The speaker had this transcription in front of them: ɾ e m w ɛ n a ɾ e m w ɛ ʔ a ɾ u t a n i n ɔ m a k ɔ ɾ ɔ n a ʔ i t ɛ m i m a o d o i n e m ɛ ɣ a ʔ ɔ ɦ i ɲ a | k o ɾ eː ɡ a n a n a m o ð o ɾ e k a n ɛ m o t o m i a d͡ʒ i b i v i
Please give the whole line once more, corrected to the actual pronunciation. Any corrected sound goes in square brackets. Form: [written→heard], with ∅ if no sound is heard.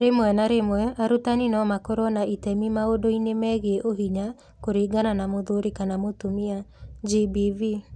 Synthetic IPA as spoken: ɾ e m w ɛ n a ɾ e m w ɛ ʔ a ɾ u t a n i n ɔ m a k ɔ ɾ ɔ n a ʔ i t ɛ m i m a o d o i n e m ɛ ɣ [a→e] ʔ [ɔ→o] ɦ i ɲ a | k o ɾ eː ɡ a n a n a m o ð o ɾ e k a n [ɛ→a] m o t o m i a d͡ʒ i b i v i